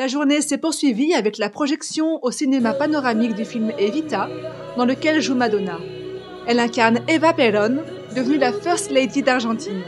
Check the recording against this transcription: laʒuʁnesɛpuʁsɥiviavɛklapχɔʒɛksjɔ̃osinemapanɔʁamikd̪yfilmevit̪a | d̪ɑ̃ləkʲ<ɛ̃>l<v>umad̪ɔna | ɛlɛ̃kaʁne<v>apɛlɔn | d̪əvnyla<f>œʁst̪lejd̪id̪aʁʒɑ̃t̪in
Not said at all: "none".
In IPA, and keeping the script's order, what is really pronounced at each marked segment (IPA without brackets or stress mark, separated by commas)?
ɛ, ʒ, v, f